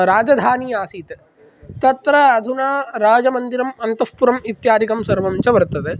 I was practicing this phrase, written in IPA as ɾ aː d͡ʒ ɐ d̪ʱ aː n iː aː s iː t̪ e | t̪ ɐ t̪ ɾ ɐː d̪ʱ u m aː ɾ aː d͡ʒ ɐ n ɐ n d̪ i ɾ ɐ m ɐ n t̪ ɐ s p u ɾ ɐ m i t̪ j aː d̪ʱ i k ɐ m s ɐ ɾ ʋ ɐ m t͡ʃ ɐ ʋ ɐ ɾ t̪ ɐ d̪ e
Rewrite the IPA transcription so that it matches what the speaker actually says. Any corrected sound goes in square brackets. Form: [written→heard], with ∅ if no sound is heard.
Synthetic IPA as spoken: ɾ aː d͡ʒ ɐ d̪ʱ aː n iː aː s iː t̪ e | t̪ ɐ t̪ ɾ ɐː d̪ʱ u [m→n] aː ɾ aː d͡ʒ ɐ [n→m] ɐ n d̪ i ɾ ɐ m ɐ n t̪ ɐ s p u ɾ ɐ m i t̪ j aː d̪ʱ i k ɐ m s ɐ ɾ ʋ ɐ m t͡ʃ ɐ ʋ ɐ ɾ t̪ ɐ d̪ e